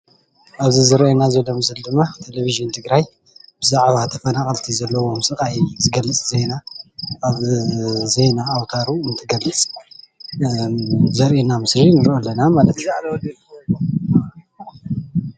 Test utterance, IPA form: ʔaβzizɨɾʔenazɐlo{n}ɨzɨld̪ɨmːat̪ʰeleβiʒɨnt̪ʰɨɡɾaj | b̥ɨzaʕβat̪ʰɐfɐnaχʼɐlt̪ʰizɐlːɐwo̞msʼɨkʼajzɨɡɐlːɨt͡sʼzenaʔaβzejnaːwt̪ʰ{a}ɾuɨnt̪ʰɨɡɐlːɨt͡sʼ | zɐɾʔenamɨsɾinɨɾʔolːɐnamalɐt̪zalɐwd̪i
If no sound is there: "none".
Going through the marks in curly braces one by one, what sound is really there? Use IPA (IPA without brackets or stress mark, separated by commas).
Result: m, a